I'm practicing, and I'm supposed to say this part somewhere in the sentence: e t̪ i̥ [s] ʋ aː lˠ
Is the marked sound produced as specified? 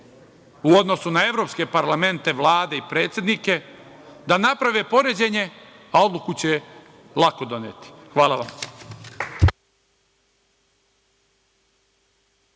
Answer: no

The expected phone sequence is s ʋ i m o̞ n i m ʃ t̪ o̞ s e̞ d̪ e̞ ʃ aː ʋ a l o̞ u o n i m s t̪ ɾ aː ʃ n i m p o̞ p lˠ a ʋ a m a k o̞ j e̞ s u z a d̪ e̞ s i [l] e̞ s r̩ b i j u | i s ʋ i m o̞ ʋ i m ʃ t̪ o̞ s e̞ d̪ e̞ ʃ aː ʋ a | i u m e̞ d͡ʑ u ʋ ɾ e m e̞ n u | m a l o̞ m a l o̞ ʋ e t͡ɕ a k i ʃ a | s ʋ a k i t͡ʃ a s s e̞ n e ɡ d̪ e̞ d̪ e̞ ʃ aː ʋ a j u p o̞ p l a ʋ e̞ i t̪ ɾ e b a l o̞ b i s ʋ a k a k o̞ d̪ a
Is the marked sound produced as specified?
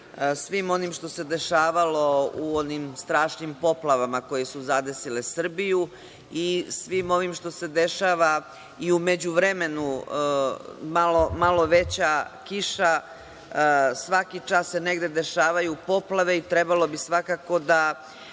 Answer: yes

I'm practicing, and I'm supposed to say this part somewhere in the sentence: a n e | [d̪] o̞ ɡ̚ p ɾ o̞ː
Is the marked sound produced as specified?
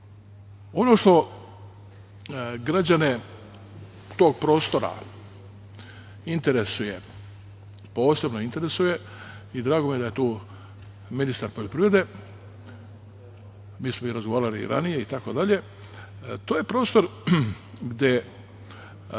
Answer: no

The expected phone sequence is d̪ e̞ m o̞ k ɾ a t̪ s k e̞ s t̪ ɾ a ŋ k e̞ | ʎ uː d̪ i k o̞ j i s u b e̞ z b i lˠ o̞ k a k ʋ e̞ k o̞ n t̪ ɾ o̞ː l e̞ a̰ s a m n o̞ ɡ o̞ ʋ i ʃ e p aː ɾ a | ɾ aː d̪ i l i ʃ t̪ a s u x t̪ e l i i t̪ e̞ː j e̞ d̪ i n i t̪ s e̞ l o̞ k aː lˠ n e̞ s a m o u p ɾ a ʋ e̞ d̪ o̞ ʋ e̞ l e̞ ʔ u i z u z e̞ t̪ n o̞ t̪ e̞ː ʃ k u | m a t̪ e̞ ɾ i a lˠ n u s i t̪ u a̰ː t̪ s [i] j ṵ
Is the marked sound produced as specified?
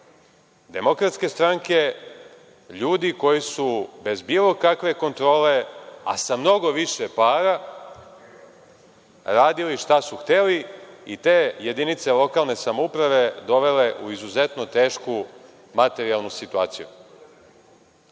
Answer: yes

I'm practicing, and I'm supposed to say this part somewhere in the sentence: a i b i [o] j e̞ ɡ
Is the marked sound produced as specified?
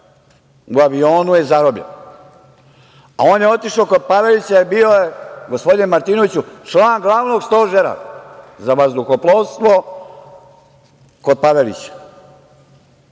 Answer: yes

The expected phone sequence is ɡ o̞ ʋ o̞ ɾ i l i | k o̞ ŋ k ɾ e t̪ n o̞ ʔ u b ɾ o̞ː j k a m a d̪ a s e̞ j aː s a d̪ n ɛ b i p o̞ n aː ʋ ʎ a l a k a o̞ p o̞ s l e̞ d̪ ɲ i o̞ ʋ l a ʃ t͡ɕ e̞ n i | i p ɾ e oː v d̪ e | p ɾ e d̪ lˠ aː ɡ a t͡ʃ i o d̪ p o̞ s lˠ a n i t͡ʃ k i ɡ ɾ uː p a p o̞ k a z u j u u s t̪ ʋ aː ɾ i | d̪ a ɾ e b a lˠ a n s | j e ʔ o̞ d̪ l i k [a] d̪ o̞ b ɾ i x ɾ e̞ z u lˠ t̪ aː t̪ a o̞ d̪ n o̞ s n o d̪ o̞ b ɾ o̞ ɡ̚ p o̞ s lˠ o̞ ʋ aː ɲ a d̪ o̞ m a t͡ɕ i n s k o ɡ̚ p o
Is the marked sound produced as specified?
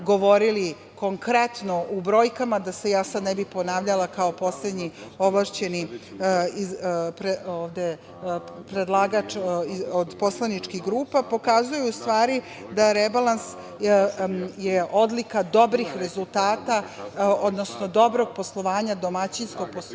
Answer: yes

